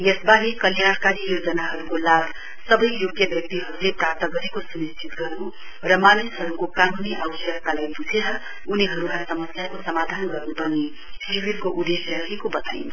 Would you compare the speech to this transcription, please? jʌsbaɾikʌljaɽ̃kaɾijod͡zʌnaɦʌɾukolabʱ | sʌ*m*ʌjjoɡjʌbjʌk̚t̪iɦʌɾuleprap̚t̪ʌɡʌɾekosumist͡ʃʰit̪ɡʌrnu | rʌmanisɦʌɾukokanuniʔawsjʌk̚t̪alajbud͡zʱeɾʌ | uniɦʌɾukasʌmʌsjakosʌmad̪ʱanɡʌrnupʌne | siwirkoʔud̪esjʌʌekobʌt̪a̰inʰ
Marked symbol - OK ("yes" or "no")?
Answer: no